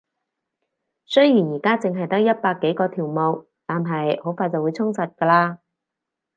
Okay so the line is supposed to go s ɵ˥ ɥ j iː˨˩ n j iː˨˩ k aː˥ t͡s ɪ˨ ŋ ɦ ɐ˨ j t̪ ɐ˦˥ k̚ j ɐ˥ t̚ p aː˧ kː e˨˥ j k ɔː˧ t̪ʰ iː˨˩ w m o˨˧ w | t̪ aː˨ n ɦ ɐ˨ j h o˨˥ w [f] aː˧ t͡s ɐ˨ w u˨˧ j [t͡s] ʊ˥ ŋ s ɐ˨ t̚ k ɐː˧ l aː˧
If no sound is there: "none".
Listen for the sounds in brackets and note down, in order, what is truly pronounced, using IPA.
f, t͡sʰ

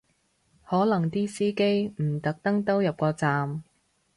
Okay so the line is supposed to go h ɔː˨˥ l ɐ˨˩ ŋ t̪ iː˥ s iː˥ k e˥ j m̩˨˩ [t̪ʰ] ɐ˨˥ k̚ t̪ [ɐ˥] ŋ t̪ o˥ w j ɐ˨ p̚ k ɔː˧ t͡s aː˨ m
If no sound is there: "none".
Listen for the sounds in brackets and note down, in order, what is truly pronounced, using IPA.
t̪, ɐ˥

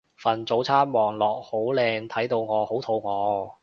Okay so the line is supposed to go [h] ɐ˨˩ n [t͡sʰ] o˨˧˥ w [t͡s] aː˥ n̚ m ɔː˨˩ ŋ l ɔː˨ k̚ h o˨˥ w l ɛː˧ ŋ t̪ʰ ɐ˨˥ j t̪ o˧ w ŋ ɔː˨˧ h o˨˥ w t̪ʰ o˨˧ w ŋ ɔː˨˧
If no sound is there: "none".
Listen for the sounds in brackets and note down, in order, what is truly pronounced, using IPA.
f, t͡s, t͡sʰ

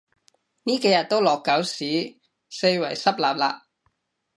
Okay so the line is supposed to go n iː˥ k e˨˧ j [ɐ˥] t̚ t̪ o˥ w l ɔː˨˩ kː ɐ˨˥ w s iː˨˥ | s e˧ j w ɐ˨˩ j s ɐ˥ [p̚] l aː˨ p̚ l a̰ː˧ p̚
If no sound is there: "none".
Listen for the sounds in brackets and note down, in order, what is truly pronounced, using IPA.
ɐ˨, p̚

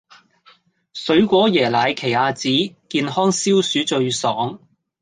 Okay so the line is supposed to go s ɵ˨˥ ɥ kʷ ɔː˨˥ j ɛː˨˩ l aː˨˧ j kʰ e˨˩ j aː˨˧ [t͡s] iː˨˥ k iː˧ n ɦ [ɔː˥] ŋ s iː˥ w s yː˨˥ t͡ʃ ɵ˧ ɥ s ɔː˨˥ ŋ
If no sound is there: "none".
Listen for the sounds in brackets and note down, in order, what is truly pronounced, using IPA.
t͡s, ɔː˥

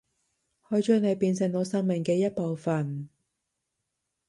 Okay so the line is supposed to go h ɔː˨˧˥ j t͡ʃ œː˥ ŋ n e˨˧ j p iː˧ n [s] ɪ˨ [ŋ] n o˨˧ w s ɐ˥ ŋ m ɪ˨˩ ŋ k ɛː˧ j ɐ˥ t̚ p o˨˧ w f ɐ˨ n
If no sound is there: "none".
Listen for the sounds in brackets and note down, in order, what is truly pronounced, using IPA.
s, ŋ

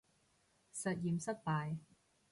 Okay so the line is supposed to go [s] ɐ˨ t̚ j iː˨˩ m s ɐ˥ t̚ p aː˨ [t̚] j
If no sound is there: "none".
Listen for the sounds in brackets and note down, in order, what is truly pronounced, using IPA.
s, none

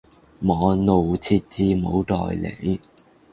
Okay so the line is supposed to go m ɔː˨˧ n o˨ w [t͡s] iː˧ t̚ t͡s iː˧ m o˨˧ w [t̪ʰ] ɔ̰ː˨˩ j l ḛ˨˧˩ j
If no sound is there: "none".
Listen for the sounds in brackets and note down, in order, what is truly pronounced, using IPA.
t͡sʰ, t̪

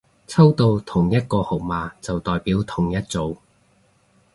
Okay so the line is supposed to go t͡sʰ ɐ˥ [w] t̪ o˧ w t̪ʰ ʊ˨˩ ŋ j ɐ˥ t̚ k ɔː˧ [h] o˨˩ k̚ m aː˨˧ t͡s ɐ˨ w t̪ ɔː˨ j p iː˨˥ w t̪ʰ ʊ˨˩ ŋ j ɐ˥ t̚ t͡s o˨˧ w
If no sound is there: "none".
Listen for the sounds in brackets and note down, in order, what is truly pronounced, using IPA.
w, h

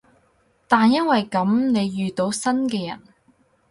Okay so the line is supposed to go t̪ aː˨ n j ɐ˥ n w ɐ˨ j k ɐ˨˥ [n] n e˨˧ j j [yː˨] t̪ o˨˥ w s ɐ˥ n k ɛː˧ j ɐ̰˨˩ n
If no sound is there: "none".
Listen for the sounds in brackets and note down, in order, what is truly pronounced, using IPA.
m, yː˨

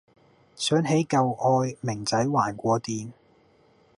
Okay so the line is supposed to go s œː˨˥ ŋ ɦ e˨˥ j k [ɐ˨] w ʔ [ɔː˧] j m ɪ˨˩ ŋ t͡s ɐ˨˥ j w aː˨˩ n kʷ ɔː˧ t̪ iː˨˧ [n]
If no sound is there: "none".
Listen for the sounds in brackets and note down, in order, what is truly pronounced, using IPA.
ɐ˨, ɔː˧, n

